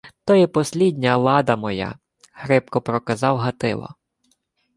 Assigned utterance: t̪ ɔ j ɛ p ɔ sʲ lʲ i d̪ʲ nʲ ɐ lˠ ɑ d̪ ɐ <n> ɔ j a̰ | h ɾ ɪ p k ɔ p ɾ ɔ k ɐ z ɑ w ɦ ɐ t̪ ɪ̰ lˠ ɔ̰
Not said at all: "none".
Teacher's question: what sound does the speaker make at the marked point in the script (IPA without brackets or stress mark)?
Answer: m